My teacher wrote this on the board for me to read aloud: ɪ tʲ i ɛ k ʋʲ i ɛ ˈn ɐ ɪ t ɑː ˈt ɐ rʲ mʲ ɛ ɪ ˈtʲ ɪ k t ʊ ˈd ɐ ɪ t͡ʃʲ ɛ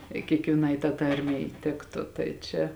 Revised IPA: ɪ kʲ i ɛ k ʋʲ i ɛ ˈn ɐ ɪ t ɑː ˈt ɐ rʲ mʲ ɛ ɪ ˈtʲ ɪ k t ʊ ˈt ɐ ɪ t͡ʃʲ ɛ